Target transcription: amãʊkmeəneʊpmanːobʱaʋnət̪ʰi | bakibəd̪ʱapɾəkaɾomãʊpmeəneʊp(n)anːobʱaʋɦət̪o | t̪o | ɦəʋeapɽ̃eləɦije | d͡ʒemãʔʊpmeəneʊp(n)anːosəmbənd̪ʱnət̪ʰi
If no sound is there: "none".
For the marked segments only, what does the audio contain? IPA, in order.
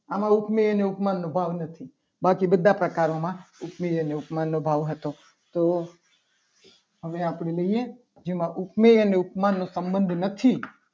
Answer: m, m

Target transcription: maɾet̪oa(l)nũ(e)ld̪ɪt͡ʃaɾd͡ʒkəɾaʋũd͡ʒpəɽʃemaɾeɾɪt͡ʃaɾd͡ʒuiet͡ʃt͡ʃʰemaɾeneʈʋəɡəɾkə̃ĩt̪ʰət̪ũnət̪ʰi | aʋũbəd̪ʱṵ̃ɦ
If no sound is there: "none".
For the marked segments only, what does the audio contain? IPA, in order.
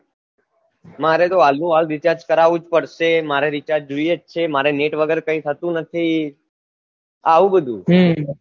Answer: l, a

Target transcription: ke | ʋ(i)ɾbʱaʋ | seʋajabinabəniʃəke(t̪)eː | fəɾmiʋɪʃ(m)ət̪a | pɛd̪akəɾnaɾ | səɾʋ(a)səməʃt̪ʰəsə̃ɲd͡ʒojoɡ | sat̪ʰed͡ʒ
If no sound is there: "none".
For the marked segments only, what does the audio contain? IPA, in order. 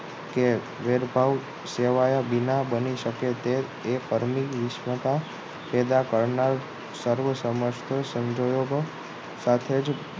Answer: e, t̪, m, ə

